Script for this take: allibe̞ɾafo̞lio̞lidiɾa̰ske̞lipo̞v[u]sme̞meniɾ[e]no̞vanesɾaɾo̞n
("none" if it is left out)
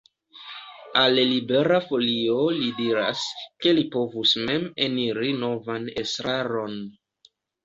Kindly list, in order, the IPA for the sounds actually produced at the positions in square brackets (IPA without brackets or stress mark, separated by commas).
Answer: u, i